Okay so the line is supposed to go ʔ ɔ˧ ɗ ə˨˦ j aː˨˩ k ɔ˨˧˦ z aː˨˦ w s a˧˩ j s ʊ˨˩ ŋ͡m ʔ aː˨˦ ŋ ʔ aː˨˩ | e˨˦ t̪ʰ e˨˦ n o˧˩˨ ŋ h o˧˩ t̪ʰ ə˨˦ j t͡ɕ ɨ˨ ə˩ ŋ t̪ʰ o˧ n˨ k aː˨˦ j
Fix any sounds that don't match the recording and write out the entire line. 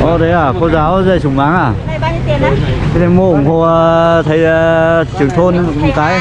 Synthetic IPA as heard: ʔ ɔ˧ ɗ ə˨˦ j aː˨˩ k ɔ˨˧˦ z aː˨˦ w z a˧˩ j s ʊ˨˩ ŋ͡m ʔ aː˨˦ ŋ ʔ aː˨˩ | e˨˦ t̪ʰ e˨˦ m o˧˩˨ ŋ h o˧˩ t̪ʰ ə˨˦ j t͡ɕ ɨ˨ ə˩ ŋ t̪ʰ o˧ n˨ k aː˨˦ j